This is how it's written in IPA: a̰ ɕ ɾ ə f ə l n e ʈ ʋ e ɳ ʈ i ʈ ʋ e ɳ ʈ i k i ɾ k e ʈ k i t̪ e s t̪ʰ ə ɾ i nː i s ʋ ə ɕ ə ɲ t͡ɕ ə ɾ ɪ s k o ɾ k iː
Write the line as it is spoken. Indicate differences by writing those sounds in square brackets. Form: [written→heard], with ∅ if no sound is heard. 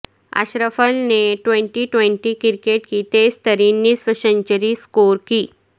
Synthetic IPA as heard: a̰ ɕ ɾ ə f ə l n e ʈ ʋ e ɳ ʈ i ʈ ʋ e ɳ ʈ i k i ɾ k e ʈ k i t̪ e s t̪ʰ ə ɾ i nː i s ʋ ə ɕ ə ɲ t͡ɕ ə ɾ [ɪ→i] s k o ɾ k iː